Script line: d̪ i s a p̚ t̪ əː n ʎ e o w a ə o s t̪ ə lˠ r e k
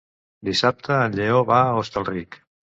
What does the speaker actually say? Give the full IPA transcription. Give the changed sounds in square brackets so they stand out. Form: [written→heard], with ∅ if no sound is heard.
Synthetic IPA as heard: d̪ i s a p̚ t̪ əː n ʎ e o [w→β] a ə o s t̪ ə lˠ r [e→i] k